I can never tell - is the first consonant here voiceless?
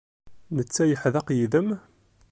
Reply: no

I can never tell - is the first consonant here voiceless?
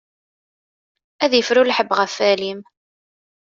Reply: no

